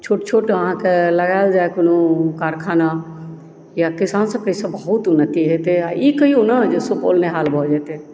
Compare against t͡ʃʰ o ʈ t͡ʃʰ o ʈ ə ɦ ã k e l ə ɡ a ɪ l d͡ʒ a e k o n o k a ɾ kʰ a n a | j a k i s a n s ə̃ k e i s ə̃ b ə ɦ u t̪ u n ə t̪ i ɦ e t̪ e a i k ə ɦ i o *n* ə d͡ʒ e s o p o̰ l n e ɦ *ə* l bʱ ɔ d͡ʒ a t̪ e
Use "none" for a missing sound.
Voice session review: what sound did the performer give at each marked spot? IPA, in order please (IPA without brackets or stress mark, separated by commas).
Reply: n, a